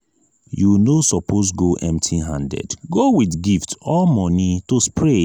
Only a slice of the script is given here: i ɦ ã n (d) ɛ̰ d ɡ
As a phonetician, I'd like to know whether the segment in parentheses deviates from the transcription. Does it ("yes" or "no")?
no